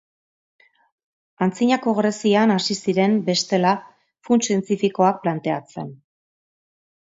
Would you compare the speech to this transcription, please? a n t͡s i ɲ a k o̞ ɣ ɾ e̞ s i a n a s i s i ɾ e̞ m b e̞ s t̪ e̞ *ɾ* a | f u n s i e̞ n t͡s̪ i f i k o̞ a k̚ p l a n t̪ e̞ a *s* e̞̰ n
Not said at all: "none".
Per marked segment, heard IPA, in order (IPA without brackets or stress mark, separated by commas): l, t͡s